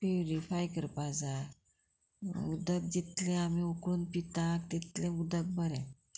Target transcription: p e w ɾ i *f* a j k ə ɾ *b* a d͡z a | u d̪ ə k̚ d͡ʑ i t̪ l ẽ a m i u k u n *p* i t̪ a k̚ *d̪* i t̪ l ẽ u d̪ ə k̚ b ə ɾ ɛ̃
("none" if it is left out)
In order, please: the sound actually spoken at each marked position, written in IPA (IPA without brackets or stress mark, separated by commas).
f, p, p, t̪